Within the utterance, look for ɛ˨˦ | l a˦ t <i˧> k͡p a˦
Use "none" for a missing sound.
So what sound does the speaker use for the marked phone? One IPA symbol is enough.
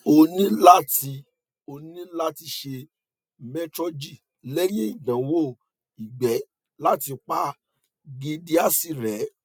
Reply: i˧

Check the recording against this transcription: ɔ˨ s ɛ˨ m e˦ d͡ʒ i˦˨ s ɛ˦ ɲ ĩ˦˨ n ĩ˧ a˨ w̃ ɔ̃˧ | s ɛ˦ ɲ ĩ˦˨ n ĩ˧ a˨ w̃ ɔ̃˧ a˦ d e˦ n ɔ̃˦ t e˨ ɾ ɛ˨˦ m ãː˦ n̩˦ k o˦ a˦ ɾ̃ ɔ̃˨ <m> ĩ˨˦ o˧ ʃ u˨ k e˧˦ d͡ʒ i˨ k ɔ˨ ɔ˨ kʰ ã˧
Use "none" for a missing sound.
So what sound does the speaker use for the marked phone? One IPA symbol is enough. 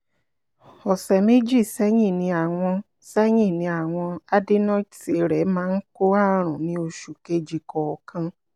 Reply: n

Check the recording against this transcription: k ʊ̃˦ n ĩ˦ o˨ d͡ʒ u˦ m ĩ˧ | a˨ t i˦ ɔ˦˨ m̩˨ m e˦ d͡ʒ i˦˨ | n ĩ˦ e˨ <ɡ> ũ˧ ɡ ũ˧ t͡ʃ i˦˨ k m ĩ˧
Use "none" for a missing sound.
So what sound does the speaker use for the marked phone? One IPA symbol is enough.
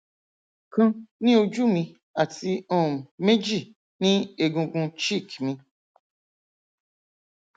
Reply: ɡ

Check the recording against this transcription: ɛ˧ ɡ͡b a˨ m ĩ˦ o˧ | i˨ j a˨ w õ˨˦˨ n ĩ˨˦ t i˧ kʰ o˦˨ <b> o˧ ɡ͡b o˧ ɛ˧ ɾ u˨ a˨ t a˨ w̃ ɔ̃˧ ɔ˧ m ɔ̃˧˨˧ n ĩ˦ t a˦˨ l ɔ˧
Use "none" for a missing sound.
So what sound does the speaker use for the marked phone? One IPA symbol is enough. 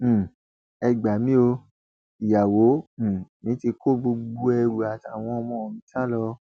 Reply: b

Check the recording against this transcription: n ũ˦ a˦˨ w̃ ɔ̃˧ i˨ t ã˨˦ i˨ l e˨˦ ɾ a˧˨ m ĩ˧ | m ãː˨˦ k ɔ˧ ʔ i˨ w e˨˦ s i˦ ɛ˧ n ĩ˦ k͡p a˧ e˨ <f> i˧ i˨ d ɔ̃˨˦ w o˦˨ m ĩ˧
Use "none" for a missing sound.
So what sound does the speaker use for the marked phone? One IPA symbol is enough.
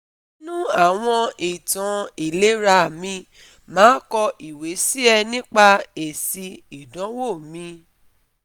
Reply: s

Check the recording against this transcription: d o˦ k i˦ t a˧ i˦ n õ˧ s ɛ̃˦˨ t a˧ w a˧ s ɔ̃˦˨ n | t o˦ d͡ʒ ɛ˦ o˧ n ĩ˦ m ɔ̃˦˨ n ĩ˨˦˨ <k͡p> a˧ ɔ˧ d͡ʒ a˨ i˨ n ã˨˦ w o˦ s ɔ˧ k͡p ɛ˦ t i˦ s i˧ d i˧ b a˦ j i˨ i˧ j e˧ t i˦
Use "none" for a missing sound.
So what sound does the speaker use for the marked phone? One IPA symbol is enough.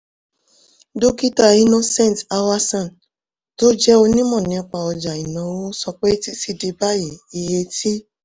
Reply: k͡p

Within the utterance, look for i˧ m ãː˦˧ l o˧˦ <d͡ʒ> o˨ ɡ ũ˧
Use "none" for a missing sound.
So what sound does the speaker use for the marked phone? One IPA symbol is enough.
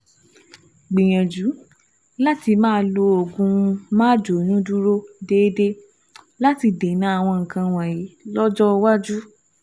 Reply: none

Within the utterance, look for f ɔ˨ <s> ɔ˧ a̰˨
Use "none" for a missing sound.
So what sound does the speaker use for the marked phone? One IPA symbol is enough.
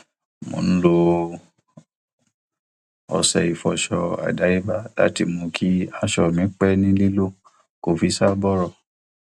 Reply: ʃ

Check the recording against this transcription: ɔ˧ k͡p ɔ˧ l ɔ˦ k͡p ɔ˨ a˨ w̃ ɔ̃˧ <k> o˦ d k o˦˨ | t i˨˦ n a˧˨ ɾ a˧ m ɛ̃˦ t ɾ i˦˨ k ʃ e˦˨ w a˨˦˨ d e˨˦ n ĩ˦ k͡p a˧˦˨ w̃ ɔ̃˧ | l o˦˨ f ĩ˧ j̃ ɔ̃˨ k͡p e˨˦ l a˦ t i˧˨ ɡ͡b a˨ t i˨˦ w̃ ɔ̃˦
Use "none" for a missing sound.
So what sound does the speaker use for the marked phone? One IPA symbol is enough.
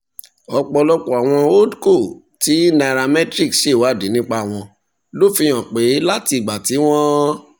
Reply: none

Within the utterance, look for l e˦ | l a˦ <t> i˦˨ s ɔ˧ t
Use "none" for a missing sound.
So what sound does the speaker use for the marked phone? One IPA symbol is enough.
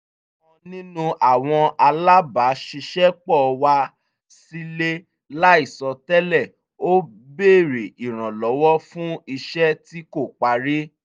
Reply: none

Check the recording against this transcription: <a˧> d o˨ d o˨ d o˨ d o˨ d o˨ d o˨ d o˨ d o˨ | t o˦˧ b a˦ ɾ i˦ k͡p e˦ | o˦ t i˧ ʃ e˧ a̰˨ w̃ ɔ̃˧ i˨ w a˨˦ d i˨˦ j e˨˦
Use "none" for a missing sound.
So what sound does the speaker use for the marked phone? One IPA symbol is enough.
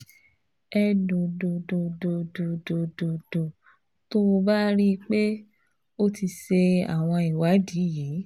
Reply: ɛ˧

